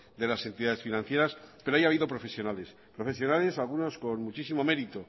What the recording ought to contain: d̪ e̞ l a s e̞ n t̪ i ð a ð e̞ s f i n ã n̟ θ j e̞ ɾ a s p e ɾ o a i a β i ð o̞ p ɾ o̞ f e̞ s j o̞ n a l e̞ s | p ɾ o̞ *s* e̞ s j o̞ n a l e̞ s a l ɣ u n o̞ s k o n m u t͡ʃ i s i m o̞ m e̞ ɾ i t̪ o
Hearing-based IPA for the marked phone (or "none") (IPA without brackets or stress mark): f